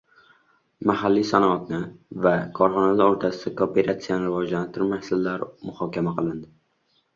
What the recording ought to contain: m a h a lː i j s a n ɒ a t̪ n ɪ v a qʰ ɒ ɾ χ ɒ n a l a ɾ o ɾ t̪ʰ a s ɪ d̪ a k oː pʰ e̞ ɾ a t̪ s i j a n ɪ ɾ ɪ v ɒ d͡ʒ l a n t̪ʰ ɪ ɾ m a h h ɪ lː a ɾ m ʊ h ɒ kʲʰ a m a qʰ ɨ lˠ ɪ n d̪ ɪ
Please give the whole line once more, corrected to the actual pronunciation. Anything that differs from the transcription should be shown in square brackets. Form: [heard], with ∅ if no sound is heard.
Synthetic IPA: m a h a lː i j s a n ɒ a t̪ n ɪ v a [kʰ] ɒ ɾ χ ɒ n a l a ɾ o ɾ t̪ʰ a s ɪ d̪ a k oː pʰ e̞ ɾ a t̪ s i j a n ɪ ɾ ɪ v ɒ d͡ʒ l a n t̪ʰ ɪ ɾ m a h [s] ɪ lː a ɾ m ʊ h ɒ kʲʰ a m a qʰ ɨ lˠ ɪ n d̪ ɪ